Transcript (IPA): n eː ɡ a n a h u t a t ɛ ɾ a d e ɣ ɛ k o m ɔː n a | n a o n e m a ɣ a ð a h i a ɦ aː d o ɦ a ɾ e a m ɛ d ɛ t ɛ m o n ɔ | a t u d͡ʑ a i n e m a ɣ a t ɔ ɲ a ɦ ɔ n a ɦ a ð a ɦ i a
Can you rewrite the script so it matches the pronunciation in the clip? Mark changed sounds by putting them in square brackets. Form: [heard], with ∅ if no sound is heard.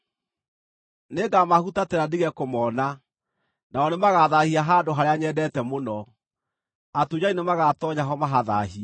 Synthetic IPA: n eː ɡ a [m] a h u t a t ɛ ɾ a d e ɣ ɛ k o m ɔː n a | n a [ɔ] n e m a ɣ a ð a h i a ɦ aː d o ɦ a ɾ e a [ɲ] ɛ d ɛ t ɛ m o n ɔ | a t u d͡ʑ a i n e m a ɣ a t ɔ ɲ a ɦ ɔ [m] a ɦ a ð a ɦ i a